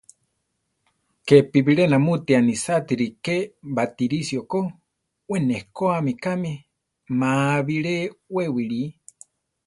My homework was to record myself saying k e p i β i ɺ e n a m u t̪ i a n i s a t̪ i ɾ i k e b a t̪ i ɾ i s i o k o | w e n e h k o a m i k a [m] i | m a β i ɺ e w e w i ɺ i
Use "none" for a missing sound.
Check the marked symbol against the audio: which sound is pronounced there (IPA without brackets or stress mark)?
m